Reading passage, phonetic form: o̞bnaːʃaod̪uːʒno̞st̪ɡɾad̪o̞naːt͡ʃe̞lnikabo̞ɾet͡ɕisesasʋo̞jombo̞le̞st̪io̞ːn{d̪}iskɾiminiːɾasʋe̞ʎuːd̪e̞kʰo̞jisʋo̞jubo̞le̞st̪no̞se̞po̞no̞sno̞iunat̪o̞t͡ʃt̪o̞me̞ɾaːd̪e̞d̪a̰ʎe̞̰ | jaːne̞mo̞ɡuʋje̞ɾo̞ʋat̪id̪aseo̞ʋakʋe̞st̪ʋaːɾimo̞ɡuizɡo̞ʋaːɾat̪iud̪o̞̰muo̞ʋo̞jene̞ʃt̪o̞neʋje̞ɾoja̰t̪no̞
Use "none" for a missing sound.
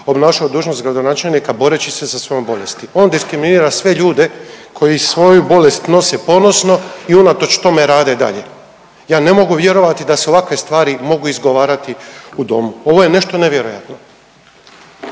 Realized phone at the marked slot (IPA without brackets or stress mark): d̪